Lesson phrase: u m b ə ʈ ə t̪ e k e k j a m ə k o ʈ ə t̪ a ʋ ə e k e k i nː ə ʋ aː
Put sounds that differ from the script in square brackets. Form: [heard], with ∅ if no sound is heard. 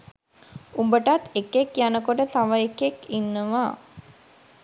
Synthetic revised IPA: u m b ə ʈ [a] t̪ e k e k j a [n] ə k o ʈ ə t̪ a ʋ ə e k e k i nː ə ʋ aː